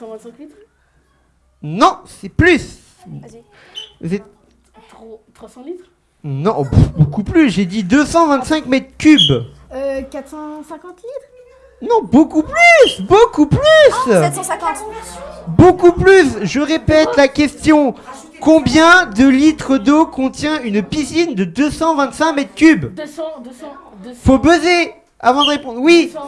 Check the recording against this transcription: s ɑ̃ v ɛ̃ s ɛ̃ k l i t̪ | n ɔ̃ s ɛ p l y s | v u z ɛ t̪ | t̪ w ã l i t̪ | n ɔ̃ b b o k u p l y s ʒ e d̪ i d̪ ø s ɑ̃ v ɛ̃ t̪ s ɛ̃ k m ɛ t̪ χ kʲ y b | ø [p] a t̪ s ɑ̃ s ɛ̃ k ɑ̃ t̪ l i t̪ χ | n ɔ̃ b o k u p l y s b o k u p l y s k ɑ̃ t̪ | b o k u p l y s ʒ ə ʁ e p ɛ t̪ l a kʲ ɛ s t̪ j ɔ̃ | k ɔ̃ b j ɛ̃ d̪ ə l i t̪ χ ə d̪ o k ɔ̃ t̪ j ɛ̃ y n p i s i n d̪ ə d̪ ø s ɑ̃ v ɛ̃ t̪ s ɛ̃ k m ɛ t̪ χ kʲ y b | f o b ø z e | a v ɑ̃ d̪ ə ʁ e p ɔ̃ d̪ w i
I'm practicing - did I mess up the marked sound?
yes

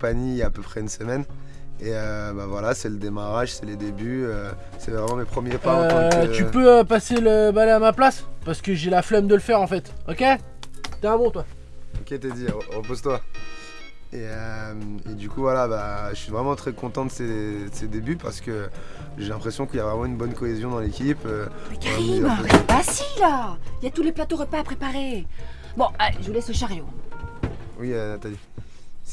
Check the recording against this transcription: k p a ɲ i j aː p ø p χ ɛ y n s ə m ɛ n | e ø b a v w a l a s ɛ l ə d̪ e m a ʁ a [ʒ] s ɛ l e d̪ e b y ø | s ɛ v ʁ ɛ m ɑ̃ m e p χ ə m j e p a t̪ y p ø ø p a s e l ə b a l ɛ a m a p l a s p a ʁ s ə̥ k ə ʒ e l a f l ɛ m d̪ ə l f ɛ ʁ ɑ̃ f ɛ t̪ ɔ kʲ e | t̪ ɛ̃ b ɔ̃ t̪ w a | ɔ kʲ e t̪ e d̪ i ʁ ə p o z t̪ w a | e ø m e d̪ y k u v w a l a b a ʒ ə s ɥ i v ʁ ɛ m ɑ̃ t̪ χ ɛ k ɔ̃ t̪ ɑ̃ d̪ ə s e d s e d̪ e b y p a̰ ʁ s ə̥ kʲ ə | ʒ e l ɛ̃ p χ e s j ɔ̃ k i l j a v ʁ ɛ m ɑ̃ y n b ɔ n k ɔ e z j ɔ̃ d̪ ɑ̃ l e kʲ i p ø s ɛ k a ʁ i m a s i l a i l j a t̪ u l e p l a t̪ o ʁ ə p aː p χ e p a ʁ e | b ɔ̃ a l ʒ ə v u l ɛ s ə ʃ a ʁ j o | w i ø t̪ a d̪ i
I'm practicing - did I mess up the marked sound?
no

